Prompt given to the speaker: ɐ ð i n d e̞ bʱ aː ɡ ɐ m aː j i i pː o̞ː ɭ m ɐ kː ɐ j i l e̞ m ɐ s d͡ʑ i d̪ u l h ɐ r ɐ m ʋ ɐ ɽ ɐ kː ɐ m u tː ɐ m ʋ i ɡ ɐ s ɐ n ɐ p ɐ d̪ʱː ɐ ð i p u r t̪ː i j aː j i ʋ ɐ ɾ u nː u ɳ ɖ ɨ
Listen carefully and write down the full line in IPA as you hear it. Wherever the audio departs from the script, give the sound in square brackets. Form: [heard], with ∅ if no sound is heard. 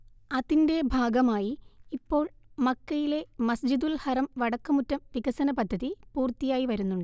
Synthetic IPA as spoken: ɐ ð i n d e̞ bʱ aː ɡ ɐ m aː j i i pː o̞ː ɭ m ɐ kː ɐ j i l e̞ m ɐ s d͡ʑ i d̪ u l h ɐ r ɐ m ʋ ɐ ɽ ɐ kː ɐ m u tː ɐ m ʋ i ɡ ɐ s ɐ n ɐ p ɐ d̪ʱː ɐ ð i p [uː] r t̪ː i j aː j i ʋ ɐ ɾ u nː u ɳ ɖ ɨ